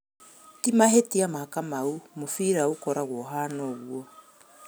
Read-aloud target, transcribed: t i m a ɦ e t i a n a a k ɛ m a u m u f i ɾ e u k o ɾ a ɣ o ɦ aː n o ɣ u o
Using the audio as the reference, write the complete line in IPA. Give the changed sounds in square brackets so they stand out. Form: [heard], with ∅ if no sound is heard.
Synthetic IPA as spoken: t i m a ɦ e t i a [m] a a k [a] m a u m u f i ɾ [a] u k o ɾ a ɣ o ɦ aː n o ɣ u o